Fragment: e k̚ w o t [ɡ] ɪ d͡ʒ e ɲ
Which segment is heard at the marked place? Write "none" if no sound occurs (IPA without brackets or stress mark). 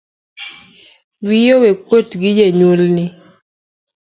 ɡ